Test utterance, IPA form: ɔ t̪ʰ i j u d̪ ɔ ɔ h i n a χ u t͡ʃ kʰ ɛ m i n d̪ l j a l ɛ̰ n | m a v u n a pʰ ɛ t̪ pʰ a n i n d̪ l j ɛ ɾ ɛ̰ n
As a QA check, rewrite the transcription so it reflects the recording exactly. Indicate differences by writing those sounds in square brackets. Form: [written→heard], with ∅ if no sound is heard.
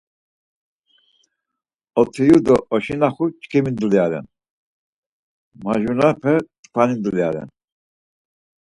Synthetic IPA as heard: ɔ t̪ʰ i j u d̪ ɔ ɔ [h→ʃ] i n a χ u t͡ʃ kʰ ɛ m i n d̪ l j a [l→ɾ] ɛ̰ n | m a [v→ʒ] u n a pʰ ɛ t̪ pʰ a n i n d̪ l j [ɛ→a] ɾ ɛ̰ n

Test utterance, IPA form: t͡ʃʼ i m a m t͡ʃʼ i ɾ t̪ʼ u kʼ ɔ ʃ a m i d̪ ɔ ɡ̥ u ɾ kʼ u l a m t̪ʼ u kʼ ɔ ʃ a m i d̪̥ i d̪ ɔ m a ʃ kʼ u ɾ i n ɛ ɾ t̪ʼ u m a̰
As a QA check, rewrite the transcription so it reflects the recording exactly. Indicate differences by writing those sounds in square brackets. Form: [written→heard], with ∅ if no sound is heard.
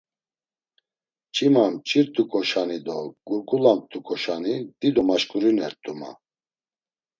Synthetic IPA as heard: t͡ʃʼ i m a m t͡ʃʼ i ɾ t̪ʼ u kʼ ɔ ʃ a [m→n] i d̪ ɔ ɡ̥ u ɾ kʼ u l a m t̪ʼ u kʼ ɔ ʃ a [m→n] i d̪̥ i d̪ ɔ m a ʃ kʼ u ɾ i n ɛ ɾ t̪ʼ u m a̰

